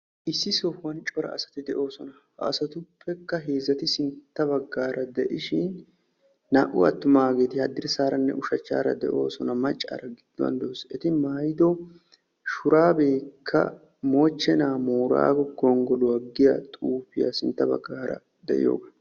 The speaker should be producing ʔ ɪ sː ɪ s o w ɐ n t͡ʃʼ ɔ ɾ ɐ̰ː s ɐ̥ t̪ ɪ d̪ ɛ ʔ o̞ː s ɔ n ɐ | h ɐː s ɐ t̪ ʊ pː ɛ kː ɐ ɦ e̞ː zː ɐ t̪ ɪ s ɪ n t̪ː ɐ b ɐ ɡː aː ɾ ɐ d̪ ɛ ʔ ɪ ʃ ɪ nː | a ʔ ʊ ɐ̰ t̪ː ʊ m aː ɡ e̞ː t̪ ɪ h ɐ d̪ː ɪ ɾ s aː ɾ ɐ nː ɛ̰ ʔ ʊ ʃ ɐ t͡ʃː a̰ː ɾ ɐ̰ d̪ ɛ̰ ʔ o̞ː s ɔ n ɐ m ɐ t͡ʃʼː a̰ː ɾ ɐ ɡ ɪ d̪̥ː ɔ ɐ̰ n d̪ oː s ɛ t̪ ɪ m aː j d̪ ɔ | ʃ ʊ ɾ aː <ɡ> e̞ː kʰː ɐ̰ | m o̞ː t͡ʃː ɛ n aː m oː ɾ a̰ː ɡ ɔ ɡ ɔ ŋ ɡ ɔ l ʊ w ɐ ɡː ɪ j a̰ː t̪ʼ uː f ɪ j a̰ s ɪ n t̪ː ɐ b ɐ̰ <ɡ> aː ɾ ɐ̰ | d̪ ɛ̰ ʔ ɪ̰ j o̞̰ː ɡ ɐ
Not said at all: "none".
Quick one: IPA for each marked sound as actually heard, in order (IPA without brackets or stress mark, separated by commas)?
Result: b, ɡː